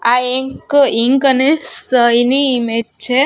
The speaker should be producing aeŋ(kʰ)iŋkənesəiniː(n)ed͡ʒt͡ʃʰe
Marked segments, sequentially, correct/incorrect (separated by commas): incorrect, incorrect